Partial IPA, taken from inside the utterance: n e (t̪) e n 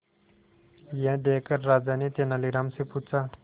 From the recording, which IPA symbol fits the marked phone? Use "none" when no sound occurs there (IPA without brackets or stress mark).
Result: t̪